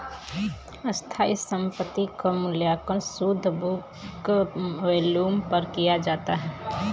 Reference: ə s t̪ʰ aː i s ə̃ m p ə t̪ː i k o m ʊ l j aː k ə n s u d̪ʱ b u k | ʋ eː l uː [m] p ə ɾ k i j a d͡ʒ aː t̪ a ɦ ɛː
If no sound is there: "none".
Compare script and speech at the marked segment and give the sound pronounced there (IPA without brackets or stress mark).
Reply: m